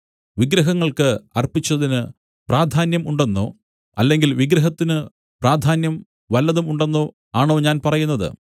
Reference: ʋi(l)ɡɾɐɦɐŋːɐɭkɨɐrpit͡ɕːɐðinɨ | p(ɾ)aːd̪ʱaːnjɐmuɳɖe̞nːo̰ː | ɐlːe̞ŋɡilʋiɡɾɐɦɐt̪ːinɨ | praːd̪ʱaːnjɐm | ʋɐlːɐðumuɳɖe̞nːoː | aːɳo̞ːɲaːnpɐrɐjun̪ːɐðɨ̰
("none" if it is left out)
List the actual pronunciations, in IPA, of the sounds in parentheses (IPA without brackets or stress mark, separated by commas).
none, r